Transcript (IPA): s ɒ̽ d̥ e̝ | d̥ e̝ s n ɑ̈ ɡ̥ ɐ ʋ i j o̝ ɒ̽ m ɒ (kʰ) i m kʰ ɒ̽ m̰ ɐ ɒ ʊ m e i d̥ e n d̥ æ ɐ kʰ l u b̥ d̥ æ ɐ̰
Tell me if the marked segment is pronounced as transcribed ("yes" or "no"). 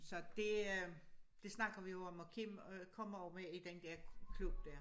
yes